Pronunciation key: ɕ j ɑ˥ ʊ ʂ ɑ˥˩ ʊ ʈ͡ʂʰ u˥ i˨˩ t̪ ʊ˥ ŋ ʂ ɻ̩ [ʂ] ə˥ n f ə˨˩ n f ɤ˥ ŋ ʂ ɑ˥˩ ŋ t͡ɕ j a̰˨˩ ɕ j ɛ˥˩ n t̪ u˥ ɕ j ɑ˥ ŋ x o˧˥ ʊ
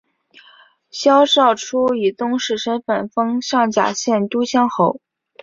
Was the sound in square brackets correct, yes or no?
yes